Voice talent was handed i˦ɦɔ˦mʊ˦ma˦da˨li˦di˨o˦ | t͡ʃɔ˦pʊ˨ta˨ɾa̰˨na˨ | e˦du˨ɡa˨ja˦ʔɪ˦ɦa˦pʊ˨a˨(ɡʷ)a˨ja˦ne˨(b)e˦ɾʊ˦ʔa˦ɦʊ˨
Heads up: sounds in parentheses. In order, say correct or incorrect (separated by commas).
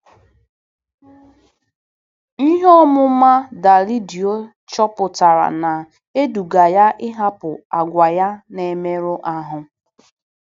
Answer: correct, incorrect